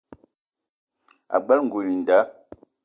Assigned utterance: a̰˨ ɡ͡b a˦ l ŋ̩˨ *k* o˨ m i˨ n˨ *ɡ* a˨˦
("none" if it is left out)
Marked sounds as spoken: ɡ, d

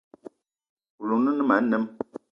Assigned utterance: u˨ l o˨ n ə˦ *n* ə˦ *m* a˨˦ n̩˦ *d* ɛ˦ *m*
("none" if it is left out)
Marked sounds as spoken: n, m, n, m

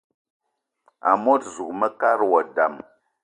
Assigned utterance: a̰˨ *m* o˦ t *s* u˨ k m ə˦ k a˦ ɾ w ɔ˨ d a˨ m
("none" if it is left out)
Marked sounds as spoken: m, z

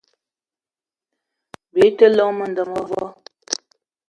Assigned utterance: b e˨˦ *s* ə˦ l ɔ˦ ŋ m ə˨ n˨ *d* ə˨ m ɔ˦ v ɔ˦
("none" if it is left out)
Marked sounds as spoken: t, d

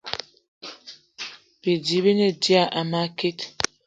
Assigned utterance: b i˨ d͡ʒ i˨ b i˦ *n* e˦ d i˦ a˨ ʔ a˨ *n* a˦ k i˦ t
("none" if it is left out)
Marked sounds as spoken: n, m

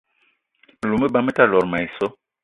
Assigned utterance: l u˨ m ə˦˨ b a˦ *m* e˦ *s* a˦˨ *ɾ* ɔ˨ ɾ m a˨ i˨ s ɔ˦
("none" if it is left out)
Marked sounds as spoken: m, t, l

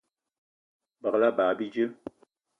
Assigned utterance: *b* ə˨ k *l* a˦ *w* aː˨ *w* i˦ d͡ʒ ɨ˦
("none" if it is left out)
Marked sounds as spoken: b, l, b, b

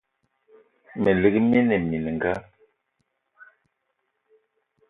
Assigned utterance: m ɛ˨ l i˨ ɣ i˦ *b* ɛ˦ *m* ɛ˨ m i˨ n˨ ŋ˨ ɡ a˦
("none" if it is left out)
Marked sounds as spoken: m, n

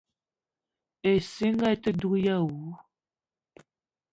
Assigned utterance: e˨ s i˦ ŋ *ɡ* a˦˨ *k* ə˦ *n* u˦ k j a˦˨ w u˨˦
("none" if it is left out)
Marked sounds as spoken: ɡ, t, d

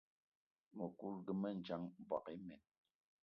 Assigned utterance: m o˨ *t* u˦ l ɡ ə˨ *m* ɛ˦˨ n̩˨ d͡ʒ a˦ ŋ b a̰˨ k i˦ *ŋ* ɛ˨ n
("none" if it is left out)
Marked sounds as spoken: k, m, m

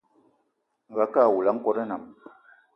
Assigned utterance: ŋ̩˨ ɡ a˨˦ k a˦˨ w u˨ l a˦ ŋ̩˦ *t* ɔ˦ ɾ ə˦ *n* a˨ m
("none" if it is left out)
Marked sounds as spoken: k, n

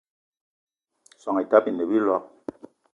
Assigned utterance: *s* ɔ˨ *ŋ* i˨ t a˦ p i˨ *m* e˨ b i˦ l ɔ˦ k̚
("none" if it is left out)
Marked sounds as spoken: s, ŋ, n

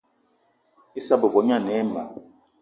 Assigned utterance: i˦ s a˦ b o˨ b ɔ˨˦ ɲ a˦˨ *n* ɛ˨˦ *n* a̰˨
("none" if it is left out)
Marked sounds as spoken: n, m

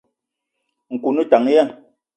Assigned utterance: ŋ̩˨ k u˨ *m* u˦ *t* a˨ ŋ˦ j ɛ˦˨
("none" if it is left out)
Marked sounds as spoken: n, t

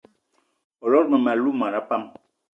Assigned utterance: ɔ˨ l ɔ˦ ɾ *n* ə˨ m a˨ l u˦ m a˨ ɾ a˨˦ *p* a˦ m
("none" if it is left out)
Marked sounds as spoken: m, p

